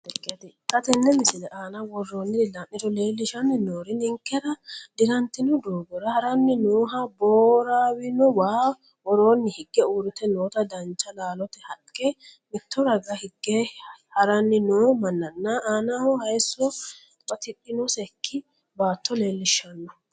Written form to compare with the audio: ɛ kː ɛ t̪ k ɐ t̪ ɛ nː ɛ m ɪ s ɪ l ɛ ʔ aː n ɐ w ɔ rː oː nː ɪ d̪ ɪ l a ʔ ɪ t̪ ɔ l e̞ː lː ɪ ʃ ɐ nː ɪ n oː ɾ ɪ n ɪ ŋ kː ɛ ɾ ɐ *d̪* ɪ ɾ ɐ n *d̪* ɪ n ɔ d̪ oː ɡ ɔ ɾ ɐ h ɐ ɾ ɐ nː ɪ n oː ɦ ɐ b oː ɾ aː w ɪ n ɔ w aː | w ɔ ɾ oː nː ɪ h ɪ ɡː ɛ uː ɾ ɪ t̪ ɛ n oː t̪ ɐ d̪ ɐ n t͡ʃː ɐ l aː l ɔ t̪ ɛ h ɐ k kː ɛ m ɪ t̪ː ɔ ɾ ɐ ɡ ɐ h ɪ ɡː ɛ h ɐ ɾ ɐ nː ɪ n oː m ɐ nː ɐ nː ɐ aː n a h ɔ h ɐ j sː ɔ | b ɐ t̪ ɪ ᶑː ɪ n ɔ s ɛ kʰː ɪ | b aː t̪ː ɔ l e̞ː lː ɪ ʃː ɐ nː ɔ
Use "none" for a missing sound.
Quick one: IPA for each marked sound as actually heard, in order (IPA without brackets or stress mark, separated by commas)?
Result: d̪, t̪